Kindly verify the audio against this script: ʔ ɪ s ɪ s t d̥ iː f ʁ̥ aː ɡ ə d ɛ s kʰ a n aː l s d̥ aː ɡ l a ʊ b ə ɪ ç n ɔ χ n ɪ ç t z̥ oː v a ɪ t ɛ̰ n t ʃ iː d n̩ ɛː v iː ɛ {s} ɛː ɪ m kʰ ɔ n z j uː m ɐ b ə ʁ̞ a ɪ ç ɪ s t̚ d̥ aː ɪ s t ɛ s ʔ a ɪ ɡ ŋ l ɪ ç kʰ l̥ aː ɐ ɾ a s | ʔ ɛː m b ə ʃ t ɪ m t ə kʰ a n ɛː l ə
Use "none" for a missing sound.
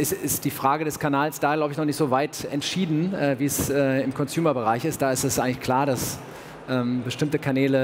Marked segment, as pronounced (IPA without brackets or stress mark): s